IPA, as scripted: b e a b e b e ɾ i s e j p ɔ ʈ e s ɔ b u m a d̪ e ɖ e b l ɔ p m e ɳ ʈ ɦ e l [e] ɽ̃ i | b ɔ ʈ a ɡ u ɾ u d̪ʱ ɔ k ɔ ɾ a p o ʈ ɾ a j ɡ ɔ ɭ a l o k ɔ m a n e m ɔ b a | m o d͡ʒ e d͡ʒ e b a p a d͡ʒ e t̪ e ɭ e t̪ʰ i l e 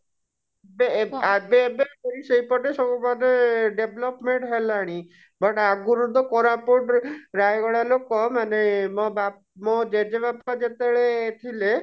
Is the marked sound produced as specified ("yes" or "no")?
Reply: no